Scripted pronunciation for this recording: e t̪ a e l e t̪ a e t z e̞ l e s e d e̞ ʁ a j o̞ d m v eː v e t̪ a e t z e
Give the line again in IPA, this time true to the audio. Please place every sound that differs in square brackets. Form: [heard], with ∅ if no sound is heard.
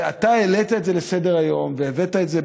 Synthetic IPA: [a] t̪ a e l e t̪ a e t z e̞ l e s e d e̞ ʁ a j o̞ [∅] m v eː v e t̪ a e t z e

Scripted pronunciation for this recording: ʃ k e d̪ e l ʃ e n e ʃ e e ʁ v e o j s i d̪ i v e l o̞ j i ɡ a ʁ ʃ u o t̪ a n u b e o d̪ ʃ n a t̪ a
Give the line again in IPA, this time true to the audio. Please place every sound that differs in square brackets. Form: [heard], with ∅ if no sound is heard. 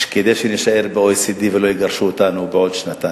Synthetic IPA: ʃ k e d̪ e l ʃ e n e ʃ [a] e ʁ [b] e o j s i d̪ i v e l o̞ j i ɡ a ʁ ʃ u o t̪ a n u b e o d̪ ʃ n a t̪ a

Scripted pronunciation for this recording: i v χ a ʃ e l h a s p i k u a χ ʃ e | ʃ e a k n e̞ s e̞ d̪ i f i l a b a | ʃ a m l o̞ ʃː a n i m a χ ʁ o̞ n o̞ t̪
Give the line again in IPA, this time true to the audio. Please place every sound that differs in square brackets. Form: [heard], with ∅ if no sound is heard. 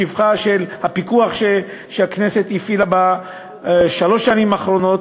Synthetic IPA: i v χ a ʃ e l h a [∅] p i k u a χ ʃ e | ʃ e a k n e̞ s e̞ [t̪] i f i l a b a | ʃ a [∅] l o̞ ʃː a n i m a χ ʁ o̞ n o̞ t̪

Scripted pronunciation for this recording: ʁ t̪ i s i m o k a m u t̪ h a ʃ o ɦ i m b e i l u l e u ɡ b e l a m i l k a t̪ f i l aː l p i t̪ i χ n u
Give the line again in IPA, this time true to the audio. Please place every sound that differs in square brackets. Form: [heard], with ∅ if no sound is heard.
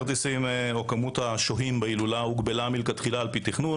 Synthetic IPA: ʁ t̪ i s i m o k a m u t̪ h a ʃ o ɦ i m b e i l u l [a] u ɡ b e l a m i l k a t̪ [χ] i l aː l p i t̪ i χ n u

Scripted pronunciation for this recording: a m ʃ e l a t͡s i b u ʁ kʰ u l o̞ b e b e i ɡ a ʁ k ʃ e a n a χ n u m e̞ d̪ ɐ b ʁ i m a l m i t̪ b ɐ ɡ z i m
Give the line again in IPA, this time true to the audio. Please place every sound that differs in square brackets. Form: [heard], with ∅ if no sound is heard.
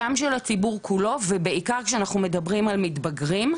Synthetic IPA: a m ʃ e l a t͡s i b u ʁ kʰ u l o̞ [v] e b e i [k] a ʁ k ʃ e a n a χ n u m e̞ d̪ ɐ b ʁ i m a l m i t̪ b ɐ ɡ [ʁ] i m

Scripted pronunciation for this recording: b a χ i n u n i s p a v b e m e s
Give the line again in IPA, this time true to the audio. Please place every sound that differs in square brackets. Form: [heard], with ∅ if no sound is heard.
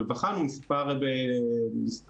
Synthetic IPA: [v] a χ [a] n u [m] i s p a [ʁ] b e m [i] s

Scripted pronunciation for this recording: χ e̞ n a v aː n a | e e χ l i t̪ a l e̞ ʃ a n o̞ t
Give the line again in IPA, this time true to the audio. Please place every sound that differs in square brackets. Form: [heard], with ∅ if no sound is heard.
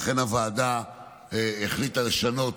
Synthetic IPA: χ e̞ n a v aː [d] a | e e χ l i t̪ a l e̞ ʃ a n o̞ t

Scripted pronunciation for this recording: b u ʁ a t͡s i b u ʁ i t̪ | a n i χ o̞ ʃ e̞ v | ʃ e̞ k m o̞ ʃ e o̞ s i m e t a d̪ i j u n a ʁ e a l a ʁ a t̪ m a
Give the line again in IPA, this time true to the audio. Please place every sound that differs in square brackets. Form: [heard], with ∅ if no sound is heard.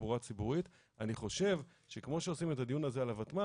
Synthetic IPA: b u ʁ a t͡s i b u ʁ i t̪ | a n i χ o̞ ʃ e̞ v | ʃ e̞ k m o̞ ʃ e o̞ s i m e t a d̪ i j u n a [z] e a l a [v] a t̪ m a

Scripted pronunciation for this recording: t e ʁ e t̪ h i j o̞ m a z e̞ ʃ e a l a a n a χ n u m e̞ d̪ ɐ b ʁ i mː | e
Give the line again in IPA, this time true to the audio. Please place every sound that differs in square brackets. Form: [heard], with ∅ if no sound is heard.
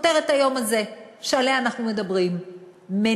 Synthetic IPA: t e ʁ e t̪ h [a] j o̞ m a z e̞ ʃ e a l [e] a n a χ n u m e̞ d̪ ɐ b ʁ i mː | e

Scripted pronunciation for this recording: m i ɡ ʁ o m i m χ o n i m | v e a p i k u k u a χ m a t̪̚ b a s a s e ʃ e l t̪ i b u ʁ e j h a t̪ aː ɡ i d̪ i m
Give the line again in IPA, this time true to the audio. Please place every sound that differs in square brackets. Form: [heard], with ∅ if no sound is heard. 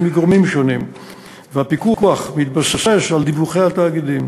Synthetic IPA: m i ɡ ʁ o m i m [ʃ] o n i m | v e a p i k u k u a χ m [i] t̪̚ b a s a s e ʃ [a] l [d̪] i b u [χ] e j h a t̪ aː ɡ i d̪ i m

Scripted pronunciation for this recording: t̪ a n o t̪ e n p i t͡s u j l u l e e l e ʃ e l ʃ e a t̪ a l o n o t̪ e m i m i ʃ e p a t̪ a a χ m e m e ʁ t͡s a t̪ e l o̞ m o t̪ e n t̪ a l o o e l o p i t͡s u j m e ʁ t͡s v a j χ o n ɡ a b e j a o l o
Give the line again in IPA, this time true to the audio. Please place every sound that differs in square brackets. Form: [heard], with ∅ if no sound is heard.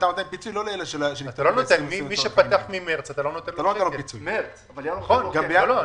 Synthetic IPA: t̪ a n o t̪ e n p i t͡s u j l [o] l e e l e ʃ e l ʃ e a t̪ a l o n o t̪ e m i m i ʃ e p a t̪ a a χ m [i] m e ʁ t͡s a t̪ [a] l o̞ [n] o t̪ e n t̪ a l o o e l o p i t͡s u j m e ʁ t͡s v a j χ o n ɡ a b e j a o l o

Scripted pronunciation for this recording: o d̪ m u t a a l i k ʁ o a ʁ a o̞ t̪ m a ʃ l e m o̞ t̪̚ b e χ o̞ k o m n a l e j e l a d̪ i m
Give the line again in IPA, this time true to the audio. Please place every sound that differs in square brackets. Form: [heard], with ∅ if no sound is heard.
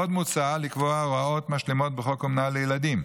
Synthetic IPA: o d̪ m u [t͡s] a a l i k [v] o a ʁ a o̞ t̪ m a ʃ l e m o̞ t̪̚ b e χ o̞ k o m n a l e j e l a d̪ i m

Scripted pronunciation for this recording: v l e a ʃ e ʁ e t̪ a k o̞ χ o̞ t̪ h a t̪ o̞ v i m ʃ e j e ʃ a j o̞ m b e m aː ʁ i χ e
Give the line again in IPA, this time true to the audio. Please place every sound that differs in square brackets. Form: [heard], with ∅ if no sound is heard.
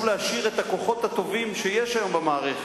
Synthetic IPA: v l e a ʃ [i] ʁ e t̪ a k o̞ χ o̞ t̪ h a t̪ o̞ v i m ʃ e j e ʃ a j o̞ m b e m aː ʁ [e] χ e

